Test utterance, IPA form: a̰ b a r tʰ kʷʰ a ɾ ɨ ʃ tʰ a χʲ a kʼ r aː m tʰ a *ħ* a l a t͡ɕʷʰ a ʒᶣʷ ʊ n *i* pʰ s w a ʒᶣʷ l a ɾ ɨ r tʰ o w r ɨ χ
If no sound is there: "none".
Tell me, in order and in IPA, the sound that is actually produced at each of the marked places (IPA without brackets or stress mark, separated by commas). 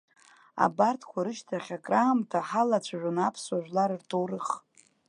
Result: ħ, a